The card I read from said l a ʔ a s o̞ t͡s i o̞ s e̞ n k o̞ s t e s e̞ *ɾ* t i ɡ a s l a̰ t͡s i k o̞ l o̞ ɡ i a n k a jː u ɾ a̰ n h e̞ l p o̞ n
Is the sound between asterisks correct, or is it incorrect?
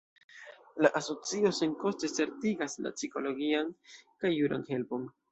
correct